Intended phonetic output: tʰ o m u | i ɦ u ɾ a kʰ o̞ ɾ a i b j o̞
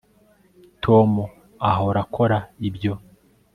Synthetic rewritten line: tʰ o m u | a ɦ o ɾ a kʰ o̞ ɾ a i b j o̞